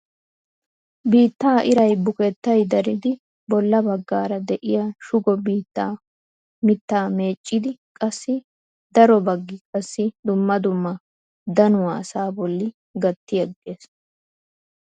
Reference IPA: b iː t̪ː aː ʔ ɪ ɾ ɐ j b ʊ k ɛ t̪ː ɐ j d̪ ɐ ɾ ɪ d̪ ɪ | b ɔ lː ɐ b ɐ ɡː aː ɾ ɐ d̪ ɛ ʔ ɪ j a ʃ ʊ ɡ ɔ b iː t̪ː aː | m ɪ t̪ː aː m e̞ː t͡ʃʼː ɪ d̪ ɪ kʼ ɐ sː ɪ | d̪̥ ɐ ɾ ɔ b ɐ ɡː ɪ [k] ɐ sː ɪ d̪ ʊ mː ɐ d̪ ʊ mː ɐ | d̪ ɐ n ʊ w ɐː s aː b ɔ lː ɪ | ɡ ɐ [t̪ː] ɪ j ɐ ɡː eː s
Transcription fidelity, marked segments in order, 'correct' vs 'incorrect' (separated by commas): incorrect, correct